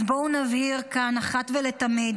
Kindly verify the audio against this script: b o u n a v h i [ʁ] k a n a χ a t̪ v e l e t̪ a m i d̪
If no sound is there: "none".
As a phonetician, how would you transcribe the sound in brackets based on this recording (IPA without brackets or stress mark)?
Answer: ʁ